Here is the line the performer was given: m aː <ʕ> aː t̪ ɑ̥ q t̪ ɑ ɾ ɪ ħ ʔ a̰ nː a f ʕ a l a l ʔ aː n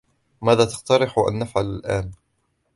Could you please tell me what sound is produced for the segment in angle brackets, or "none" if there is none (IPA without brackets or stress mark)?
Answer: ð